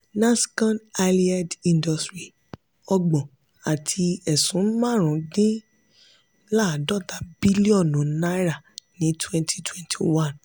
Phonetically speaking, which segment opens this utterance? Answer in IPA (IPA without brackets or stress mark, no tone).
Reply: n